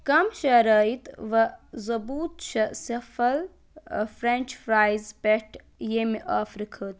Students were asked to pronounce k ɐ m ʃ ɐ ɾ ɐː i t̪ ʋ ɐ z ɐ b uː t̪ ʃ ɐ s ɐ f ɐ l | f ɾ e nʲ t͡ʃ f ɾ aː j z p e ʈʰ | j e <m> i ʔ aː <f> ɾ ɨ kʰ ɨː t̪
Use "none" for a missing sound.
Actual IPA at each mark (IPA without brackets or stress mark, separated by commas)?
m, f